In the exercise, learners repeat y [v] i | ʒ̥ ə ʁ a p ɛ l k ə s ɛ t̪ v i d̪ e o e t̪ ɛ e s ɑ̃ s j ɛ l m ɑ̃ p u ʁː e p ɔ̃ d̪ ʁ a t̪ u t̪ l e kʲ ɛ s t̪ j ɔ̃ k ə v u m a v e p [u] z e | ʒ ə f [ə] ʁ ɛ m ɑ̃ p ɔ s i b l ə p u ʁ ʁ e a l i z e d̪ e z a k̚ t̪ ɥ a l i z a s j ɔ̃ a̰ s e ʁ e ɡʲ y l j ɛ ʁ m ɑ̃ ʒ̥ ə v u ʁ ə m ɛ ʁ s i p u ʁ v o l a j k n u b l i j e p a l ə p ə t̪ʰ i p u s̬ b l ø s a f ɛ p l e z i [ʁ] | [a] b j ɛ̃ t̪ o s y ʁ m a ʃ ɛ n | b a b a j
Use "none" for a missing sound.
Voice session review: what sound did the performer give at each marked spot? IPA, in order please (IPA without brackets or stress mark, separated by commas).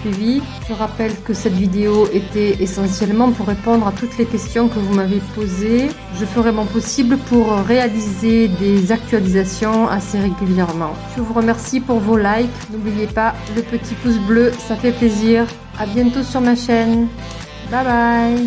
v, o, ə, ʁ, a